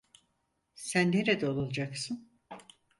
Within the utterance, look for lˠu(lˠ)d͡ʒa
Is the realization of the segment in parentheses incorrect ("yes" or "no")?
no